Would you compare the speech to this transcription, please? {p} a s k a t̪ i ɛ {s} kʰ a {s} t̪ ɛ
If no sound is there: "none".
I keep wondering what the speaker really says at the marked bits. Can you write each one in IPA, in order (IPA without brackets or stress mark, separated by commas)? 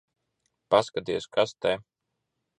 p, s, s